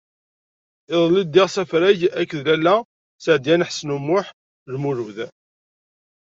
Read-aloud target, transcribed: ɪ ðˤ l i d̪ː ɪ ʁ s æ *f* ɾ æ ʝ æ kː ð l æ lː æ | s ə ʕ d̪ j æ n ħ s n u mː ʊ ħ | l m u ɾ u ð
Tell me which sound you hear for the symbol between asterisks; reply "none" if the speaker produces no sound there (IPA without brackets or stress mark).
f